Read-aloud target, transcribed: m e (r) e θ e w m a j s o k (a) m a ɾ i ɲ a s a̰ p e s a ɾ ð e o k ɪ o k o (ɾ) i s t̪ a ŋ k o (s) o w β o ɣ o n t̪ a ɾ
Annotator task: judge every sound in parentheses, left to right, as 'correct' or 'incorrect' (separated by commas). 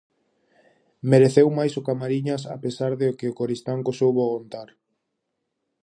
incorrect, correct, correct, correct